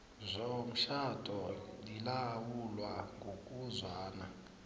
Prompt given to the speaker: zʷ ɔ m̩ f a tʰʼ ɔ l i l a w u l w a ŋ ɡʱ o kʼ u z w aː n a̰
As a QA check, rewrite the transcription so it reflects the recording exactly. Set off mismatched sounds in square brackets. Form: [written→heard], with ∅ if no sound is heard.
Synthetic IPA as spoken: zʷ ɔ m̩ [f→ʃ] a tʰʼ ɔ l i l a w u l w a ŋ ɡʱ o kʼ u z w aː n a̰